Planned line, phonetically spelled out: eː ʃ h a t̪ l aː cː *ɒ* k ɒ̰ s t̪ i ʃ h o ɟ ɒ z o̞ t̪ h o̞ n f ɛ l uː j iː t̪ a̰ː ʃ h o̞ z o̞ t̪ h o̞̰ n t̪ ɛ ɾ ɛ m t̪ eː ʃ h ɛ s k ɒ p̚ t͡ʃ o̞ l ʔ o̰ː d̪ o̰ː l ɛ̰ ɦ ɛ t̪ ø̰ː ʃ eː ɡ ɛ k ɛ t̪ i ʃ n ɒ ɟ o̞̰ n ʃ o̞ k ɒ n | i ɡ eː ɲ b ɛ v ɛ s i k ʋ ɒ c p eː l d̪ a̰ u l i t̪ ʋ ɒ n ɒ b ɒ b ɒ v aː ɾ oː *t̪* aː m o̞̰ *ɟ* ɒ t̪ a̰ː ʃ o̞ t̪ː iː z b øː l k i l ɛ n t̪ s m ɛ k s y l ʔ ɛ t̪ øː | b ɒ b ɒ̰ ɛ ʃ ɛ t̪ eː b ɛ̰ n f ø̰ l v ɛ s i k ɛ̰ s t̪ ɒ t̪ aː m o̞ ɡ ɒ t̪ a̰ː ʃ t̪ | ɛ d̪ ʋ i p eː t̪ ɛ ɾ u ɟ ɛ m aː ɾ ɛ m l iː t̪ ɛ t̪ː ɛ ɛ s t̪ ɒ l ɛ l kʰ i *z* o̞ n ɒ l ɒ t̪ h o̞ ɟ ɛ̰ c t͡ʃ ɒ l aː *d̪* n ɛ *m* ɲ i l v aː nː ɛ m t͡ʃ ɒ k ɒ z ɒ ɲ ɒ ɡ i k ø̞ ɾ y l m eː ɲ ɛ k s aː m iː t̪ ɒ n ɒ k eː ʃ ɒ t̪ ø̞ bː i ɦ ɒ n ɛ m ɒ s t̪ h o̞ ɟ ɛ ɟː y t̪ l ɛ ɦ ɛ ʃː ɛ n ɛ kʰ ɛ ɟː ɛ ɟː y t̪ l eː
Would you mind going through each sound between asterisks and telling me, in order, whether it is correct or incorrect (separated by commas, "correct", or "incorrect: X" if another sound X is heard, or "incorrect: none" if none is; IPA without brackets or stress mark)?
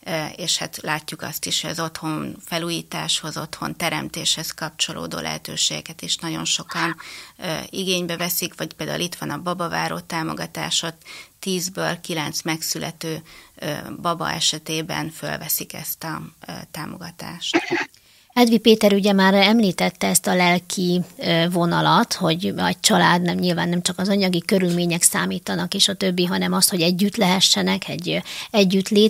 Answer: incorrect: u, correct, incorrect: ɡ, incorrect: v, correct, correct